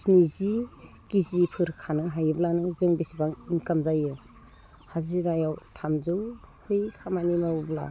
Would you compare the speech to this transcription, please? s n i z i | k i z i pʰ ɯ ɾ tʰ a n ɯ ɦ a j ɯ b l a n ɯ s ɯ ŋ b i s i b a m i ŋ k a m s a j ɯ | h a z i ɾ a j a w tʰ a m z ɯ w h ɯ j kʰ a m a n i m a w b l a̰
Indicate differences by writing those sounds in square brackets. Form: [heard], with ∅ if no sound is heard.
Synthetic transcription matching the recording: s n i z i | k i z i pʰ ɯ ɾ [kʰ] a n ɯ ɦ a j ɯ b l a n ɯ [z] ɯ ŋ b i s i b a [ŋ] i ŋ k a m [z] a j ɯ | h a z i ɾ a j a w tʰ a m z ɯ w h ɯ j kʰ a m a n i m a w b l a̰